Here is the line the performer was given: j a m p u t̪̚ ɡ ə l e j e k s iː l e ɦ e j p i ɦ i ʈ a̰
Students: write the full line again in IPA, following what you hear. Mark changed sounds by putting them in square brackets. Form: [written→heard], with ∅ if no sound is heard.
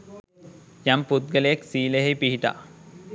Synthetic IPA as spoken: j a m p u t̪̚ ɡ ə l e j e k s iː l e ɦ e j p i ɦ i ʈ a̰